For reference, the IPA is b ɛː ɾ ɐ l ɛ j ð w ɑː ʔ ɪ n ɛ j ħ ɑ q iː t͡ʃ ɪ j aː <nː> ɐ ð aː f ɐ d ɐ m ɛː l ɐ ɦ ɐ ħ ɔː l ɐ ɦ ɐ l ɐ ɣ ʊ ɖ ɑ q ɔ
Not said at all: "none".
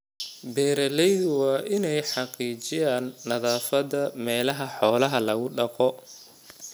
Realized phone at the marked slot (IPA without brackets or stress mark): nː